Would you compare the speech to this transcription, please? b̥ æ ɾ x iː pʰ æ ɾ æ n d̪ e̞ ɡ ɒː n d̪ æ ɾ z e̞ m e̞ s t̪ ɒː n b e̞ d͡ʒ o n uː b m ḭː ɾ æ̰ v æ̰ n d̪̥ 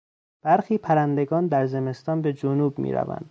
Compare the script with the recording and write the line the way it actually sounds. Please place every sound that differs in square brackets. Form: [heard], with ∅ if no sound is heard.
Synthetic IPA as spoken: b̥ æ ɾ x iː pʰ æ ɾ æ n d̪ e̞ ɡ ɒː n d̪ æ ɾ z e̞ m e̞ s t̪ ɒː n b e̞ d͡ʒ o n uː b m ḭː ɾ æ̰ v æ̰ n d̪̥

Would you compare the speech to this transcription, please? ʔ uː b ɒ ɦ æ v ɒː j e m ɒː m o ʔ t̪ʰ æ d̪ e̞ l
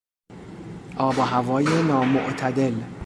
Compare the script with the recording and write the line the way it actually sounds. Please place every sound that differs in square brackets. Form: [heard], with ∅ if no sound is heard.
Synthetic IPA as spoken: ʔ [ɒː] b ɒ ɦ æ v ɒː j e [n] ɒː m o ʔ t̪ʰ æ d̪ e̞ l

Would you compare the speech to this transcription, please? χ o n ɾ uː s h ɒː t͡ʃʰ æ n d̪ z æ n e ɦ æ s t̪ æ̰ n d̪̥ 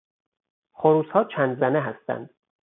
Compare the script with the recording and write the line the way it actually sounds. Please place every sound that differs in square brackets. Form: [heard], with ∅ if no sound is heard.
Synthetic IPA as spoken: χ o [∅] ɾ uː s h ɒː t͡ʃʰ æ n d̪ z æ n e ɦ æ s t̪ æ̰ n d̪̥

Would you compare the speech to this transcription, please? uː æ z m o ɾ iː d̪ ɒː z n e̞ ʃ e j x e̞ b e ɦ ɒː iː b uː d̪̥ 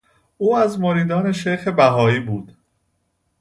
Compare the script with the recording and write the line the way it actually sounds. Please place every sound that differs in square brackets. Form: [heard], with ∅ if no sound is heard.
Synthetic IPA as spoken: uː æ z m o ɾ iː d̪ ɒː [∅] n e̞ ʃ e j x e̞ b [æ] ɦ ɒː iː b uː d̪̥

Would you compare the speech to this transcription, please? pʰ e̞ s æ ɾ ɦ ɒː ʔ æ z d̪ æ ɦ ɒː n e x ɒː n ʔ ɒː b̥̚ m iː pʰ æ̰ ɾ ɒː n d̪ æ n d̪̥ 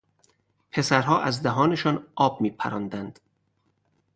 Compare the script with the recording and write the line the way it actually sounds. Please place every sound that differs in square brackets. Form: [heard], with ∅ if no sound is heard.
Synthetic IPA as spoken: pʰ e̞ s æ ɾ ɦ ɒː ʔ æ z d̪ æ ɦ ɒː n e [ʃ] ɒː n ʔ ɒː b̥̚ m iː pʰ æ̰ ɾ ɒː n d̪ æ n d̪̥

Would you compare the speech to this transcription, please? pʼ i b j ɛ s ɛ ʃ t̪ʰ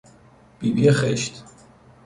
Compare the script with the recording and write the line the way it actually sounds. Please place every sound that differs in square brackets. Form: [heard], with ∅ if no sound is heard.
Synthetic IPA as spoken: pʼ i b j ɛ [χ] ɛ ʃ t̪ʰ

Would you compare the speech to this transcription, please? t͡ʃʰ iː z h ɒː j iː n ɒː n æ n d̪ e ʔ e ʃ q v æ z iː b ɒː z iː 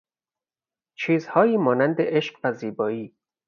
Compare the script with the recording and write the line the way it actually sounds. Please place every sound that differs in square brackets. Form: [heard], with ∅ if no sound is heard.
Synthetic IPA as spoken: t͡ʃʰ iː z h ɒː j iː [m] ɒː n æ n d̪ e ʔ e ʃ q v æ z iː b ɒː [∅] iː

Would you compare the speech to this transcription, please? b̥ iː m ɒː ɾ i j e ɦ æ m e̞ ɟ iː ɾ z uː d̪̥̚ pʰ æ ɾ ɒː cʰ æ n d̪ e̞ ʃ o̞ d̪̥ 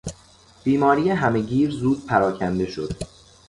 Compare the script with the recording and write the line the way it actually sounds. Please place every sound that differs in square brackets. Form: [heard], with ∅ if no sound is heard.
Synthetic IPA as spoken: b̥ iː m ɒː ɾ i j e ɦ æ m e̞ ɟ iː ɾ z uː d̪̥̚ pʰ æ ɾ ɒː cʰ æ n d̪ e̞ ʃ o̞ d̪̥

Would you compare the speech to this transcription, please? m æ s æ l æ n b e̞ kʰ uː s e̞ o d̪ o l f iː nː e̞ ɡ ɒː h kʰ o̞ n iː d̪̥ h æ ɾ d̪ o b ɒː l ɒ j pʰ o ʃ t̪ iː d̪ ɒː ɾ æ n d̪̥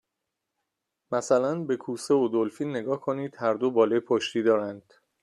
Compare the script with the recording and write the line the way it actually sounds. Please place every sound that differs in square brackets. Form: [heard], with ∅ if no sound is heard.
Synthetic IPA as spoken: m æ s æ l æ n b e̞ kʰ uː s e̞ o d̪ o l f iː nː e̞ ɡ ɒː h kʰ o̞ n iː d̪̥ h æ ɾ d̪ o b ɒː l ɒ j pʰ o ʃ t̪ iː d̪ ɒː ɾ æ n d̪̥

